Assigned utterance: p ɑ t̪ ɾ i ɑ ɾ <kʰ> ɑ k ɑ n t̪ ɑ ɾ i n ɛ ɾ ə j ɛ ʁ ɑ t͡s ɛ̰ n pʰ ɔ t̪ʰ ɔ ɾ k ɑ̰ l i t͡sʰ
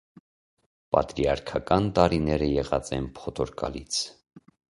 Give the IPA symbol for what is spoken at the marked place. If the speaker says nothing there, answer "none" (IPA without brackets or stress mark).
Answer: kʰ